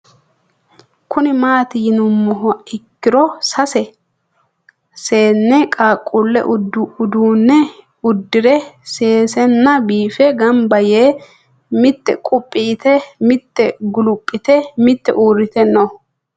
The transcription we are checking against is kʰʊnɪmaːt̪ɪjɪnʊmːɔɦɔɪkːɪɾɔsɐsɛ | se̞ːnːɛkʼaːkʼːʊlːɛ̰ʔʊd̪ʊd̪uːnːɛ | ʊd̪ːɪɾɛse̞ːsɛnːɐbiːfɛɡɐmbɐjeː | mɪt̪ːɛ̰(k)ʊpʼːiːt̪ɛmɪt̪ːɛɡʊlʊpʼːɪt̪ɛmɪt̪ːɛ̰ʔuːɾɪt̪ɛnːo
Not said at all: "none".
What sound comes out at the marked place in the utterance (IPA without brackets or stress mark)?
kʼ